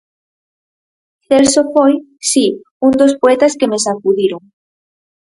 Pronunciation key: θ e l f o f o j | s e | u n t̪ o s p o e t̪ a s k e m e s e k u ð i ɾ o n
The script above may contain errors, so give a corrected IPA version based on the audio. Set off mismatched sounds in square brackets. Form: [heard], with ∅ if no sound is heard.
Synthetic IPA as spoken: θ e l [s] o f o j | s [i] | u n [d̪] o s p o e t̪ a s k e m e s [a] k u ð i ɾ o [ŋ]

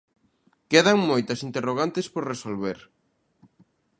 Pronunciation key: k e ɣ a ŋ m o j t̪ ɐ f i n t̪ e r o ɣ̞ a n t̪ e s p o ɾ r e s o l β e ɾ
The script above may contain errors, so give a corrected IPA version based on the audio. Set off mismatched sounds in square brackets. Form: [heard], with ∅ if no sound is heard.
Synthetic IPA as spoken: k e [ð] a ŋ m o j t̪ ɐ [s] i n t̪ e r o ɣ̞ a n t̪ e s p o ɾ r e s o l β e ɾ

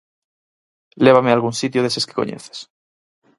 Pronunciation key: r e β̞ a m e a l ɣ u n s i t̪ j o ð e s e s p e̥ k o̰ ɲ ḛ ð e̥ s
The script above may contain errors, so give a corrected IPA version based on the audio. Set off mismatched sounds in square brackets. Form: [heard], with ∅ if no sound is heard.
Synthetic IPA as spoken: [l] e β̞ a m e a l ɣ u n s i t̪ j o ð e s e s [k] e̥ k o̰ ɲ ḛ [θ] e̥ s

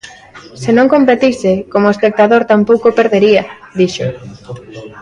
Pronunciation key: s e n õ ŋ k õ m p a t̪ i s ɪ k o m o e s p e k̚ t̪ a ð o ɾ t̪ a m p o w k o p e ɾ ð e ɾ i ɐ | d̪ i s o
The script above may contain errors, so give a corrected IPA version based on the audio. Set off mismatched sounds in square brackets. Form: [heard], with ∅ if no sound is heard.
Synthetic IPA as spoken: s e n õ ŋ k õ m p [e] t̪ i s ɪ k o m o e s p e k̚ t̪ a ð o ɾ t̪ a m p o w k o p e ɾ ð e ɾ i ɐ | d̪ i [ʃ] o

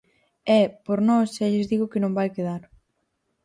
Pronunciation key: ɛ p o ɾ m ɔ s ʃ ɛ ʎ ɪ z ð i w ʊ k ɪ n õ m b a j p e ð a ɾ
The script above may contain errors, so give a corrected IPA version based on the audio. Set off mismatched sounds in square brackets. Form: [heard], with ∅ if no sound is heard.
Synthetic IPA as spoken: ɛ p o ɾ [n] ɔ s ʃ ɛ ʎ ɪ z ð i [ɣ] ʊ k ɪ n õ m b a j [k] e ð a ɾ

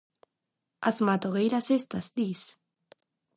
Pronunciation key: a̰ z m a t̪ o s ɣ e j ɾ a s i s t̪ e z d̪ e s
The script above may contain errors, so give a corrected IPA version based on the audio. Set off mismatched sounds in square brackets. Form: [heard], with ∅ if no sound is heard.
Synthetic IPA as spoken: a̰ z m a t̪ o [∅] ɣ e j ɾ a s [e] s t̪ [a] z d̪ [i] s

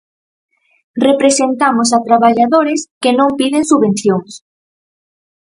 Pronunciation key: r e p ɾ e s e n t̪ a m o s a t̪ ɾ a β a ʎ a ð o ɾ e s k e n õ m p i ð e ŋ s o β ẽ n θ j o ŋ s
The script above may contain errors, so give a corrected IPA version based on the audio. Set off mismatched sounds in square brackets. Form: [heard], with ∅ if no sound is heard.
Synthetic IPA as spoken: r e p ɾ e s e n t̪ a m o s a t̪ ɾ a β a ʎ a ð o ɾ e s k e n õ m p i ð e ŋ s [u] β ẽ n θ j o ŋ s

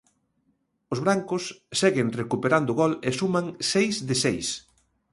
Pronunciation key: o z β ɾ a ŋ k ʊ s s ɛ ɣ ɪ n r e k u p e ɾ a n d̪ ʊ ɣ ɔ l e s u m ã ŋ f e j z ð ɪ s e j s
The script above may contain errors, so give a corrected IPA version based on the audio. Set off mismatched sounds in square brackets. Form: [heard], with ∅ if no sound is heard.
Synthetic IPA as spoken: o z β ɾ a ŋ k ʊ s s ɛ ɣ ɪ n r e k u p e ɾ a n d̪ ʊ ɣ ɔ l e s u m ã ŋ [s] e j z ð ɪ s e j s

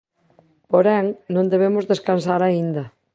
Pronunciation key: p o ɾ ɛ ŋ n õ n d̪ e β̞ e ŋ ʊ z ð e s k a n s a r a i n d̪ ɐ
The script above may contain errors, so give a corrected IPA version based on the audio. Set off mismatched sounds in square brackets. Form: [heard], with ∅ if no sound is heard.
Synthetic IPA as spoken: p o ɾ ɛ ŋ n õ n d̪ e β̞ e [m] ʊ z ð e s k a n s a [ɾ] a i n d̪ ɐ

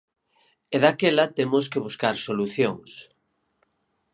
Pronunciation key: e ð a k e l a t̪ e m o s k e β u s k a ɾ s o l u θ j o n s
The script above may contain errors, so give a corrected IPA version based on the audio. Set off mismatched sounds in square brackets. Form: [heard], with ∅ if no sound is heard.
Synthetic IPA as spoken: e ð a k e l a t̪ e m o s k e β u s k a ɾ s o l u θ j o [ŋ] s

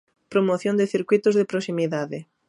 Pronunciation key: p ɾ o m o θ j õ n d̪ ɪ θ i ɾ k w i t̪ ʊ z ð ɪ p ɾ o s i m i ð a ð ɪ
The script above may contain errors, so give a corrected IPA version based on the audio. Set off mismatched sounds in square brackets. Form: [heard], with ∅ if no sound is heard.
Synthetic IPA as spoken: p ɾ o m o θ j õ n d̪ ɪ θ i ɾ k w i t̪ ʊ z ð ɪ p ɾ o s i m i ð a ð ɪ

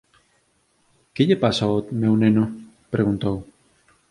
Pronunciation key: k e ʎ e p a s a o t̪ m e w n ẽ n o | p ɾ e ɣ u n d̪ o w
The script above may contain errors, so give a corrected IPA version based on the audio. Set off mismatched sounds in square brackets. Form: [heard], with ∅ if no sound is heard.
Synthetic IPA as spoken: k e ʎ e p a s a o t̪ m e w n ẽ n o | p ɾ e ɣ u n [t̪] o w

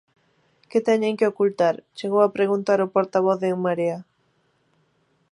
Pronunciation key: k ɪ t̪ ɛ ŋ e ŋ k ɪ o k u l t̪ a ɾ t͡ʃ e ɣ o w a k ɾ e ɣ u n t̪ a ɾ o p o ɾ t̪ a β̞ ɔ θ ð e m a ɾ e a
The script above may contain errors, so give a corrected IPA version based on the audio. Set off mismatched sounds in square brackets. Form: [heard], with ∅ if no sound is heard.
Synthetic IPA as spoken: k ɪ t̪ ɛ [ɲ] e ŋ k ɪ o k u l t̪ a ɾ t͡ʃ e ɣ o w a [p] ɾ e ɣ u n t̪ a ɾ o p o ɾ t̪ a β̞ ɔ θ ð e m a ɾ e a

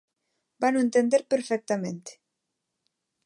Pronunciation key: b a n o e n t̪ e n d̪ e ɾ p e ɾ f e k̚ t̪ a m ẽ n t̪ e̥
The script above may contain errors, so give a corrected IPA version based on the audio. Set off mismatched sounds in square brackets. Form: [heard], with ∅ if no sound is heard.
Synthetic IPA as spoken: b a n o e n t̪ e n d̪ e ɾ p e ɾ f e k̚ t̪ a m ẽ n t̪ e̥

